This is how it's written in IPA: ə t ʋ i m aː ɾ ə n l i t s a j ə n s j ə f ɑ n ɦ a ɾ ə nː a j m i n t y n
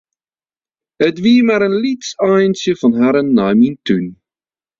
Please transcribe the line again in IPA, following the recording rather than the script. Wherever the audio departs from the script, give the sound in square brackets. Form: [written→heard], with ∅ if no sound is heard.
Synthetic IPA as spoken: ə t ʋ i m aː ɾ ə n l i t s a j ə n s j ə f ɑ n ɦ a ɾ ə nː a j m i n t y n